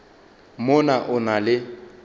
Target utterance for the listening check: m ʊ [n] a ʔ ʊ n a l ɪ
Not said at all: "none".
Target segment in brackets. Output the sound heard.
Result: n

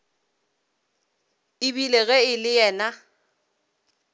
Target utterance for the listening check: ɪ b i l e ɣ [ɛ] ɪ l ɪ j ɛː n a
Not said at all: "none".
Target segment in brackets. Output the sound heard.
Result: ɛ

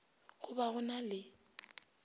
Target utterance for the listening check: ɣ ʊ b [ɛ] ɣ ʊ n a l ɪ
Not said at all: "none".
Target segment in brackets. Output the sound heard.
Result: a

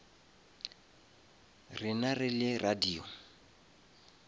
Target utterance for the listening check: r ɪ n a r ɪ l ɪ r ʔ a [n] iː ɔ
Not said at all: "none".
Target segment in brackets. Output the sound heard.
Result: d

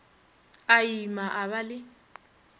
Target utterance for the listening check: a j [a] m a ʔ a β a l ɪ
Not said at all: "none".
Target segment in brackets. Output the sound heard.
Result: i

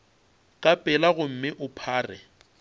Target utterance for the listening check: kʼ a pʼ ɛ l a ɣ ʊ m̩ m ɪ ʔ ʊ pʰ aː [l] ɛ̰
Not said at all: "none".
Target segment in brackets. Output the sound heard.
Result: r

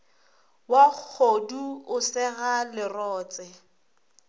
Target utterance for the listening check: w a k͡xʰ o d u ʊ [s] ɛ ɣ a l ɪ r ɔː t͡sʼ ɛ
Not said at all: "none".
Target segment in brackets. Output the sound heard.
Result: s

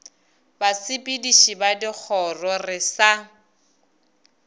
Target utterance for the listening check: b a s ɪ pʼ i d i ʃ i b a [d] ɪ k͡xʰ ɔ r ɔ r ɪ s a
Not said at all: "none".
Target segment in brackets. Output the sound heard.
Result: d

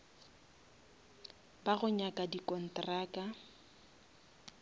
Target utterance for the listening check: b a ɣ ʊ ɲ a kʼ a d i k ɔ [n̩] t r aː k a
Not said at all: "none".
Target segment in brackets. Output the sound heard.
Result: n̩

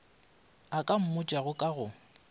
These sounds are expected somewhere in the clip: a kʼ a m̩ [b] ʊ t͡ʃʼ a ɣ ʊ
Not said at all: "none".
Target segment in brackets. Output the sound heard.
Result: m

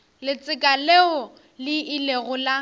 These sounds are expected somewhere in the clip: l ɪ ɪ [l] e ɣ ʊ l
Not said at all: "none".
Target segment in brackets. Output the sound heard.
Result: l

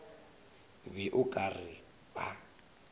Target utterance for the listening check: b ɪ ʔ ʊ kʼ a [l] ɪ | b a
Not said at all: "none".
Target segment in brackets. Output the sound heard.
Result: r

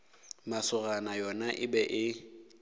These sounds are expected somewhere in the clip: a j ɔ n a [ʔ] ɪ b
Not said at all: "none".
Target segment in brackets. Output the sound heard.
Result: ʔ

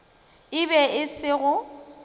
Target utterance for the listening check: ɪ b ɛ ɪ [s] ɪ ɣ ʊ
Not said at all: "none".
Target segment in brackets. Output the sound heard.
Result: s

